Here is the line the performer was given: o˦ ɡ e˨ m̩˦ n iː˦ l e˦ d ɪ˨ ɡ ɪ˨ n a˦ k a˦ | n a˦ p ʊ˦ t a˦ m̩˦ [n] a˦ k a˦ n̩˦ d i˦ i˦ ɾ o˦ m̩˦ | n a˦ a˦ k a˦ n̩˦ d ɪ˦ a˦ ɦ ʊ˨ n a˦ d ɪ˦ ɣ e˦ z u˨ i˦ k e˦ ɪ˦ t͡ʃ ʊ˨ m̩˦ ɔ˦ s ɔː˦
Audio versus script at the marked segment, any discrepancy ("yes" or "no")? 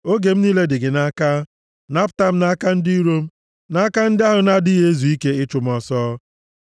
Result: no